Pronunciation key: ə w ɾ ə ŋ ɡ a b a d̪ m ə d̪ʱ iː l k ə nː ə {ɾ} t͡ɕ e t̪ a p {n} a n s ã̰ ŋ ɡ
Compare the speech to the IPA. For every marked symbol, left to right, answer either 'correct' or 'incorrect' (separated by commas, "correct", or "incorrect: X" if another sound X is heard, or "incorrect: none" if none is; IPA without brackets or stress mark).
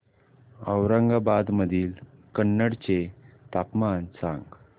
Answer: incorrect: ɽ, incorrect: m